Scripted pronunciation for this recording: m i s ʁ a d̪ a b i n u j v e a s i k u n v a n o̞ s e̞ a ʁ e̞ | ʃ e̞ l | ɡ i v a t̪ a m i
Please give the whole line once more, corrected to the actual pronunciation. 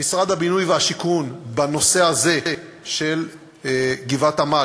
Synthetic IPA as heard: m i s ʁ a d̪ a b i n u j v e a ʃ i k u n b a n o̞ s e̞ a z e̞ | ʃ e̞ l | ɡ i v a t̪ a m a

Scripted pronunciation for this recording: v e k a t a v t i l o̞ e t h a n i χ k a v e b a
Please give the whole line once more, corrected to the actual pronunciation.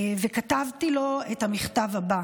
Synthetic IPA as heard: v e k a t a v t i l o̞ e t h a m i χ t a v a b a

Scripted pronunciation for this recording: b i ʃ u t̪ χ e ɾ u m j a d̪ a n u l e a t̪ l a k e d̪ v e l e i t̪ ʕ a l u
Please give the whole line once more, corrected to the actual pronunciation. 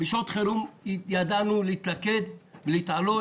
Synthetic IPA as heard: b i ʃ o t̪ χ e ɾ u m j a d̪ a n u l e i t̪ l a k e d̪ v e l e i t̪ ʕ a l o

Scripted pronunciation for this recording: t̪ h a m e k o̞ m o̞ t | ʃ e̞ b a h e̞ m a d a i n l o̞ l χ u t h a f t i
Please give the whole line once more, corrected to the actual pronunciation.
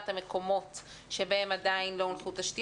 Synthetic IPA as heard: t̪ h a m e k o̞ m o̞ t | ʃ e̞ b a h e̞ m a d a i n l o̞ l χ u t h a ʃ t i

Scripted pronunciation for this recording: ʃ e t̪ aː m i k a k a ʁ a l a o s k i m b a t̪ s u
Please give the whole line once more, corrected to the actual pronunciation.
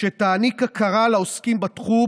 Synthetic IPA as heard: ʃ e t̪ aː n i k a k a ʁ a l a o s k i m b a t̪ χ u

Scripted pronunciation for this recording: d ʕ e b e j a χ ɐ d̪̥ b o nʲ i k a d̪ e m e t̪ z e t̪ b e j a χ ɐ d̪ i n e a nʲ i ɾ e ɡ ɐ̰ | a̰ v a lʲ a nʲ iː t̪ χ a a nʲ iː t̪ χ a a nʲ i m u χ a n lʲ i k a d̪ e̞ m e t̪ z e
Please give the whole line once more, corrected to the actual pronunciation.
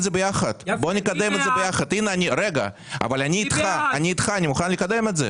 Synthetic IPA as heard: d z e b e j a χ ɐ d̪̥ b o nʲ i k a d̪ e m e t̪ z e b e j a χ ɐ d̪ i n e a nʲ i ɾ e ɡ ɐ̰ | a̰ v a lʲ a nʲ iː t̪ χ a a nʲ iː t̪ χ a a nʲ i m u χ a n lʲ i k a d̪ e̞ m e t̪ z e

